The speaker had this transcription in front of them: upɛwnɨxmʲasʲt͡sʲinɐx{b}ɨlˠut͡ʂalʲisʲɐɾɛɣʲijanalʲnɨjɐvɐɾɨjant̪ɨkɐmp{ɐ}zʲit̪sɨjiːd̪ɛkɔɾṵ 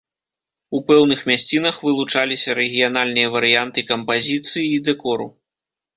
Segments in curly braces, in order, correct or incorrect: incorrect, incorrect

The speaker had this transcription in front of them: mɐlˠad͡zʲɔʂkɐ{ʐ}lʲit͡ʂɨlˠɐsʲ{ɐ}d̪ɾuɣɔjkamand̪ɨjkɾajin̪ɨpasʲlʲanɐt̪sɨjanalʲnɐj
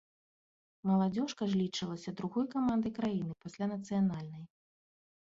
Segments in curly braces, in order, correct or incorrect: correct, correct

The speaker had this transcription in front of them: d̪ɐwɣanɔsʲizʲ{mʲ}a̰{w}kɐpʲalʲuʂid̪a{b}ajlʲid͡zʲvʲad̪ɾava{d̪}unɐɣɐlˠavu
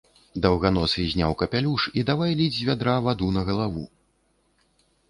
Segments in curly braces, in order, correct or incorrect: incorrect, correct, incorrect, correct

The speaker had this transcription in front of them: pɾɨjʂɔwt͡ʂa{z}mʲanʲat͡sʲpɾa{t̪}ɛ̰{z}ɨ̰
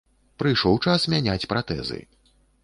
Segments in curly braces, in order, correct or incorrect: incorrect, correct, correct

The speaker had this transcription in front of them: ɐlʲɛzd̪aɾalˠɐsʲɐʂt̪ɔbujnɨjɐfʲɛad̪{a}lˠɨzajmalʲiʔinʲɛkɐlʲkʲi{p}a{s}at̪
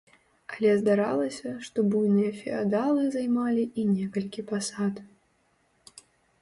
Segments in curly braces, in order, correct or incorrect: correct, correct, correct

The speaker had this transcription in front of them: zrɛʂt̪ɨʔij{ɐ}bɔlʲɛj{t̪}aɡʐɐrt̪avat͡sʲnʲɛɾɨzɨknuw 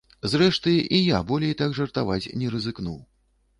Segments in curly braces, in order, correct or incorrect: incorrect, correct

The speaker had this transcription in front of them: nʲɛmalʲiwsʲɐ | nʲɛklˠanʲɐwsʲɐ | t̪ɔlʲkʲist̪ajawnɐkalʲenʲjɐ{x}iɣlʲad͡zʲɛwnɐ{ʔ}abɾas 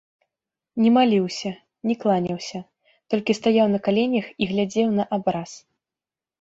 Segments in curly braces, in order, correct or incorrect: correct, correct

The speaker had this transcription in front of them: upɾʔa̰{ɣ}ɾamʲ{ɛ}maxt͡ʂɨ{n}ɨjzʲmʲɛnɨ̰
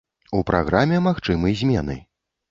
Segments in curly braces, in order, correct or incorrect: correct, correct, incorrect

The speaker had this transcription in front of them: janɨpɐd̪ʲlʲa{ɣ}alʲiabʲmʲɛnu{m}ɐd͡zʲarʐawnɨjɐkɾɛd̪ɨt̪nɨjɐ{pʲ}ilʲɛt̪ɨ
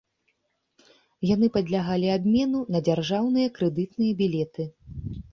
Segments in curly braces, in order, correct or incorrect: correct, incorrect, incorrect

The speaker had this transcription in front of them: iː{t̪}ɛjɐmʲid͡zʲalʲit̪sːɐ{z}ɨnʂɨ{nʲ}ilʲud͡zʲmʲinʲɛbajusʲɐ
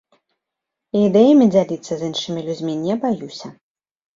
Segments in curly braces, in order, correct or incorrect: incorrect, correct, incorrect

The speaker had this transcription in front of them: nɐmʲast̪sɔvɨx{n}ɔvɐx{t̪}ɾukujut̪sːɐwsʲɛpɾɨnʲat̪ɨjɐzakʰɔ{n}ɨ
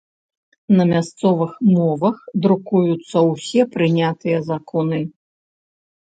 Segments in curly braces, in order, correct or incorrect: incorrect, incorrect, correct

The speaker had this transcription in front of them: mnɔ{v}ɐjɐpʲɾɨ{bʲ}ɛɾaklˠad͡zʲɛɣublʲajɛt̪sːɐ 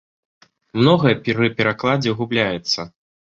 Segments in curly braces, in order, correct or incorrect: incorrect, incorrect

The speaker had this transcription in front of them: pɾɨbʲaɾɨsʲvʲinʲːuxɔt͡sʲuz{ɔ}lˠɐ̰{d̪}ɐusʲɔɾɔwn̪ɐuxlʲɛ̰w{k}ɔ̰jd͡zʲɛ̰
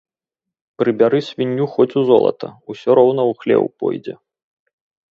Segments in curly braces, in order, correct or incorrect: correct, incorrect, incorrect

